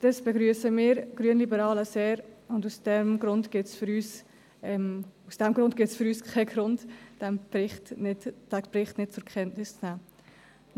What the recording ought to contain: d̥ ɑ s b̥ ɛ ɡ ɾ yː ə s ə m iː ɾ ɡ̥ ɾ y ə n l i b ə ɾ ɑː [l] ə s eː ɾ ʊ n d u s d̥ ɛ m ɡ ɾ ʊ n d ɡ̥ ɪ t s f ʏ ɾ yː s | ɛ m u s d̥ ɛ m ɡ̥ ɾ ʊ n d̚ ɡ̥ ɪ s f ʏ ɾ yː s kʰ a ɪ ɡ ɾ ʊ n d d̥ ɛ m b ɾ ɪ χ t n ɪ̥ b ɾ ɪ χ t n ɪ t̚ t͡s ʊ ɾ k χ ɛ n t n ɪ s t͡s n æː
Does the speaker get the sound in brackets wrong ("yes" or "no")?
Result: no